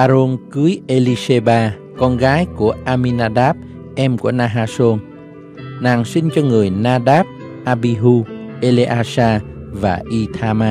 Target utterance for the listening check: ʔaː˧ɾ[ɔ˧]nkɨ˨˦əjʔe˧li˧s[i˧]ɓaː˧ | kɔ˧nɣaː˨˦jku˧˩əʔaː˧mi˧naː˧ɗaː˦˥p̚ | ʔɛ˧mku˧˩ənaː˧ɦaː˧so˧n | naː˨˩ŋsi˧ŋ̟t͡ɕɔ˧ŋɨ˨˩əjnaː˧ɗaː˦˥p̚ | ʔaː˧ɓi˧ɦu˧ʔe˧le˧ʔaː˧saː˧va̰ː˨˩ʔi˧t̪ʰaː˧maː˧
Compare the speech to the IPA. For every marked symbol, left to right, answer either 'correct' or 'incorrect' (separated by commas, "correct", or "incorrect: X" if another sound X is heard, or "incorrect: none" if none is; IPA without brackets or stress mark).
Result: incorrect: o˧, incorrect: e˧